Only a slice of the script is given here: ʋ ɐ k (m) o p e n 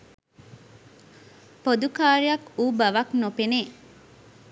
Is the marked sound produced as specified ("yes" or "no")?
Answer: no